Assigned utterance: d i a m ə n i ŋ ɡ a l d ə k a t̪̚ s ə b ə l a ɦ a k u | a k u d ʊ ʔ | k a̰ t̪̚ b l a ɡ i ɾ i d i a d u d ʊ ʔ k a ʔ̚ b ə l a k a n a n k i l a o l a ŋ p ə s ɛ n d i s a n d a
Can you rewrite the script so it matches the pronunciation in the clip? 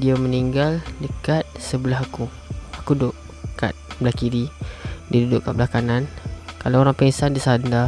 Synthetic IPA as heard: d i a m ə n i ŋ ɡ a l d ə k a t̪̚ s ə b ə l a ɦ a k u | a k u d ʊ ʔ | k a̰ t̪̚ b l a k i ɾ i d i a d u d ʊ ʔ k a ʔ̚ b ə l a k a n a n k a l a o ɾ a ŋ p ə s a n d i s a n d a